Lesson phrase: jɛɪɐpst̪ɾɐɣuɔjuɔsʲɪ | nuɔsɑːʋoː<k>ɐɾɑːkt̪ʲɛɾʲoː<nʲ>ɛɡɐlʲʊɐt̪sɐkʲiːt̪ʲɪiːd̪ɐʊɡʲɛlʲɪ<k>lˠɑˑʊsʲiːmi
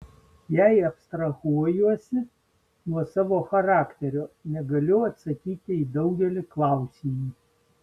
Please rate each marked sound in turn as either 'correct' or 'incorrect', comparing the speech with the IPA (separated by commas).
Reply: incorrect, correct, correct